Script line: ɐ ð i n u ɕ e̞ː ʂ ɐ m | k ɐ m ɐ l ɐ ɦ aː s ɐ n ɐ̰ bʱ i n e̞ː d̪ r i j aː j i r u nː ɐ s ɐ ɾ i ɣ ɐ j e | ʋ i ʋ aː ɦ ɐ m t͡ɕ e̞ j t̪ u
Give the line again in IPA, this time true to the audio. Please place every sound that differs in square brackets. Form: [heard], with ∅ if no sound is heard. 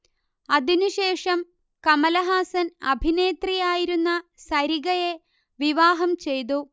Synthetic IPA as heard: ɐ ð i n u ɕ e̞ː ʂ ɐ m | k ɐ m ɐ l ɐ ɦ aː s ɐ n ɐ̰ bʱ i n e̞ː [t̪] r i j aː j i [ɾ] u nː ɐ s ɐ ɾ i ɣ ɐ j e | ʋ i ʋ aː ɦ ɐ m t͡ɕ e̞ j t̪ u